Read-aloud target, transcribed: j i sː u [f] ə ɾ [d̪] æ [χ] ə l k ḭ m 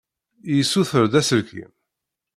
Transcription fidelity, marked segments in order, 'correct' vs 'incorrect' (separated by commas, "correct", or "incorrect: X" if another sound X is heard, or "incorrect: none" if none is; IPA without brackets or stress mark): incorrect: θ, correct, incorrect: s